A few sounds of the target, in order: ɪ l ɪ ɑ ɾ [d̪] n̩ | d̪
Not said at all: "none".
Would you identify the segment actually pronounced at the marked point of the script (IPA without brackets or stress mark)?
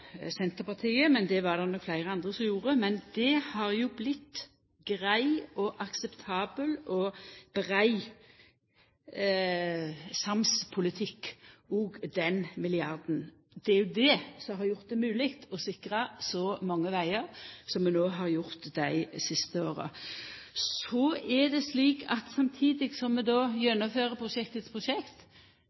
d̪